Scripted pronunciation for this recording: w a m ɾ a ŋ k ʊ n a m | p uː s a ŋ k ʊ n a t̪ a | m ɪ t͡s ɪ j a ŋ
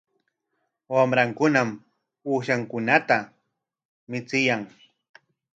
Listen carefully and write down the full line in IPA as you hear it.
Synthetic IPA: w a m ɾ a ŋ k ʊ n a m | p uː ʃ a ŋ k ʊ n a t̪ a | m ɪ t͡s ɪ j a ŋ